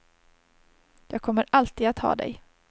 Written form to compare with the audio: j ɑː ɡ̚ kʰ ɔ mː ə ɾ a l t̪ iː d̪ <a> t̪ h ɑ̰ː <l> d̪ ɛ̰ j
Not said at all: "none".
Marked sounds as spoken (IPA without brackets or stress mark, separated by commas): a, none